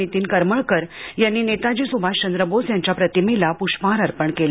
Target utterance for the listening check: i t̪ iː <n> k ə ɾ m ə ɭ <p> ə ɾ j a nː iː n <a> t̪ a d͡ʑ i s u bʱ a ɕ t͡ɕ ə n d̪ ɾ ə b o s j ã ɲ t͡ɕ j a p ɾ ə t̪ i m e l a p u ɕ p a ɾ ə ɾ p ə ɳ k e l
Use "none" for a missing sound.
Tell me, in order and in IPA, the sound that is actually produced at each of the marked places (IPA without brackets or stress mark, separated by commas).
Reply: n, k, e